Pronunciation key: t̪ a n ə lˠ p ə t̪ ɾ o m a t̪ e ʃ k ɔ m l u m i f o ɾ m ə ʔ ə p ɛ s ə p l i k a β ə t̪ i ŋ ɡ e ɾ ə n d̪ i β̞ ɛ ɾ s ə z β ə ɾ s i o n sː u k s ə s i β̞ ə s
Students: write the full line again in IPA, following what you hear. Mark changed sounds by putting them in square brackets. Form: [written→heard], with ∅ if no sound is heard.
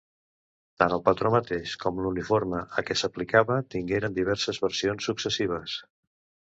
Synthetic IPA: t̪ a n ə lˠ p ə t̪ ɾ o m [a→ə] t̪ e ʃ k ɔ m l u [m→n] i f o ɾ m ə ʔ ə [p→k] ɛ s ə p l i k a β ə t̪ i ŋ ɡ e ɾ ə n d̪ i β̞ ɛ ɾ s ə z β ə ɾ s i o n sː u k s ə s i β̞ ə s